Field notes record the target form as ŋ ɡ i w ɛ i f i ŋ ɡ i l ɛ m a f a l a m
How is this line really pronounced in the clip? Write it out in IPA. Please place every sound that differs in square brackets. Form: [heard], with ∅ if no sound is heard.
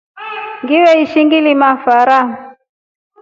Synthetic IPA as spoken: ŋ ɡ i w ɛ i [ʃ] i ŋ ɡ i l [i] m a f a [ɾ] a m